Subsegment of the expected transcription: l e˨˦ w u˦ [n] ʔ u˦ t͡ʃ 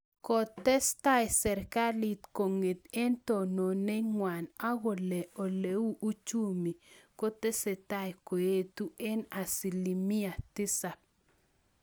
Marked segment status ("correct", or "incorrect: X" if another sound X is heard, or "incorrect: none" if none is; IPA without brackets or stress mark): incorrect: none